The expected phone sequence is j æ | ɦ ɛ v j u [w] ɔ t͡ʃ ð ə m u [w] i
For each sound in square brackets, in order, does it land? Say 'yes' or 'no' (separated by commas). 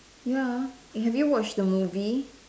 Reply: yes, no